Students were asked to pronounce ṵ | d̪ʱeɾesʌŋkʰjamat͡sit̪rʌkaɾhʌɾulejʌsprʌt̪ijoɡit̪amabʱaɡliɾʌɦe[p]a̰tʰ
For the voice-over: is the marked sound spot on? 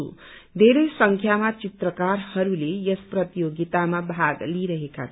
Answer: no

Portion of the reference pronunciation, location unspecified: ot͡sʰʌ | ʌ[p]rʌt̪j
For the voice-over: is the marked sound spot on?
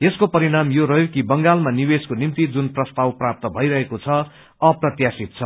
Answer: yes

